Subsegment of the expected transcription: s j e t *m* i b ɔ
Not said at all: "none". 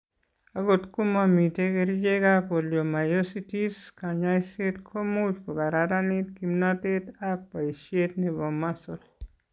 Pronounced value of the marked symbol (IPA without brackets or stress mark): n